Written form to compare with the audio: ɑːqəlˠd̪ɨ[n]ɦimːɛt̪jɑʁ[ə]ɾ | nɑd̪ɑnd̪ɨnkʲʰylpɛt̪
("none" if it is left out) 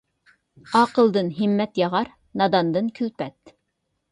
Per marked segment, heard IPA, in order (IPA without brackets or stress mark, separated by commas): n, ɑ